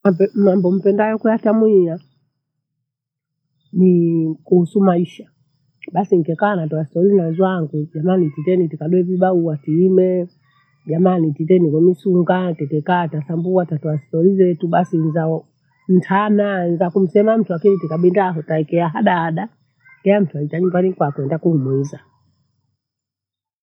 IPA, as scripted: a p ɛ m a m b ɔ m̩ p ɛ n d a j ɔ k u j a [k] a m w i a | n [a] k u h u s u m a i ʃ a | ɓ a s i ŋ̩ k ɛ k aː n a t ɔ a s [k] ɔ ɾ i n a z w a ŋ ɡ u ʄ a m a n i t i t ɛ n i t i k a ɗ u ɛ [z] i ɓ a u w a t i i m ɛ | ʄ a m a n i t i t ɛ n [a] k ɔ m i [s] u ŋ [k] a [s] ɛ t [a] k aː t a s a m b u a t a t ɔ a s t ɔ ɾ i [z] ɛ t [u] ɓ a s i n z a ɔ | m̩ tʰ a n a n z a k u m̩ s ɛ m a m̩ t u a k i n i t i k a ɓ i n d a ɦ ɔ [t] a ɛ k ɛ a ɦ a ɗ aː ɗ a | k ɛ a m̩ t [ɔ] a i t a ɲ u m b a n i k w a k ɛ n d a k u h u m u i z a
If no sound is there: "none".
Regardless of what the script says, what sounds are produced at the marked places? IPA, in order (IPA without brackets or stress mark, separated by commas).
t, i, t, v, i, s, ɡ, t, ɛ, z, u, t, u